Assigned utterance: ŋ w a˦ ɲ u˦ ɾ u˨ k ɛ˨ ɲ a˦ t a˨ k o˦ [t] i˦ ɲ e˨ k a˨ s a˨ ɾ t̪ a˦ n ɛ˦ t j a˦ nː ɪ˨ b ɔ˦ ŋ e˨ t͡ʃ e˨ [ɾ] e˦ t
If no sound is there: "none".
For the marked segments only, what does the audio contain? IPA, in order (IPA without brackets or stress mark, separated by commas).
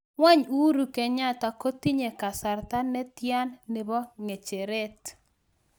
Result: t, ɾ